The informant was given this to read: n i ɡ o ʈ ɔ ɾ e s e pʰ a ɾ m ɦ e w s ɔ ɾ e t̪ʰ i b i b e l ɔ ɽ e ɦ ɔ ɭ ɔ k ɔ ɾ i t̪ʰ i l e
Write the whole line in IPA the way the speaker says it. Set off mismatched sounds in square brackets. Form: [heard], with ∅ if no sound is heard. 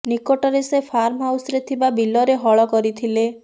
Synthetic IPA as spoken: n i [k] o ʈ ɔ ɾ e s e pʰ a ɾ m ɦ [a] w s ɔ ɾ e t̪ʰ i b [a] b [i] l ɔ [ɾ] e ɦ ɔ ɭ ɔ k ɔ ɾ i t̪ʰ i l e